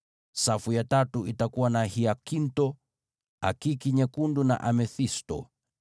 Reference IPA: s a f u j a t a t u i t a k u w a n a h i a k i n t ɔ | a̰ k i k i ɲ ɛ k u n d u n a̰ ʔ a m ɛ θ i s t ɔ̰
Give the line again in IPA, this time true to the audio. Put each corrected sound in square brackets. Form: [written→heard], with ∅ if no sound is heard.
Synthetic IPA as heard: s a f u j a t a t u i t a k u w a n a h i a k i n t ɔ | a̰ k i k i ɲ ɛ k u n d u n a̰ ʔ a m ɛ θ i s t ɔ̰